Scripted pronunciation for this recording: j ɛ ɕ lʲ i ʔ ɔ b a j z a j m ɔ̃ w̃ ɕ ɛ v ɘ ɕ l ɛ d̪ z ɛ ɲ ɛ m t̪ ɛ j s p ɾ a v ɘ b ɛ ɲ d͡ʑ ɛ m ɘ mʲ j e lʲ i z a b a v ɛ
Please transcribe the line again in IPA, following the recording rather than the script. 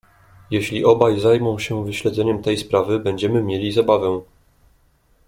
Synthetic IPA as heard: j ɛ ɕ lʲ i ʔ ɔ b a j z a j m ɔ̃ w̃ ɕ ɛ v ɘ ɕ l ɛ d̪ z ɛ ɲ ɛ m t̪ ɛ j s p ɾ a v ɘ b ɛ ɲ d͡ʑ ɛ m ɘ mʲ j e lʲ i z a b a v ɛ